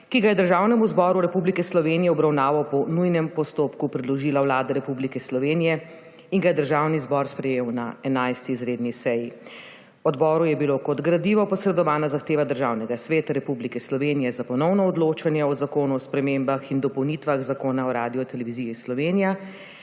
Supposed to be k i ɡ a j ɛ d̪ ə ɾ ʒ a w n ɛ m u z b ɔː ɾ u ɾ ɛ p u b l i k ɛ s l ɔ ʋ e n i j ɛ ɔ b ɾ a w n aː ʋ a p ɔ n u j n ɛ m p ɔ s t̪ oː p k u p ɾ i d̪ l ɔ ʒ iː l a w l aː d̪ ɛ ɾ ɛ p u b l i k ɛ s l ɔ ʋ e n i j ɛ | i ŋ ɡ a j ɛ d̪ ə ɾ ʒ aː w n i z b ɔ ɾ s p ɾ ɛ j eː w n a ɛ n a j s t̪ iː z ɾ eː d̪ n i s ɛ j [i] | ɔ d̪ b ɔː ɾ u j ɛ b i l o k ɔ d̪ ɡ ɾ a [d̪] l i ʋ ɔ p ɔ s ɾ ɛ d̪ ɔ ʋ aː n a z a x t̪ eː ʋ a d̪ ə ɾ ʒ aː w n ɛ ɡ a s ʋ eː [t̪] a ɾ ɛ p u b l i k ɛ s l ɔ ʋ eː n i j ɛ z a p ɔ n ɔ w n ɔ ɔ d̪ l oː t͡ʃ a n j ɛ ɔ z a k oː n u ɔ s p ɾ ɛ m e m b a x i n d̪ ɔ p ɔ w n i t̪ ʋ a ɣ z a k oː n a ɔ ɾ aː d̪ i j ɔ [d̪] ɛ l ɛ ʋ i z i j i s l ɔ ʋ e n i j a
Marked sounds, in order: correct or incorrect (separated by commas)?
correct, correct, correct, incorrect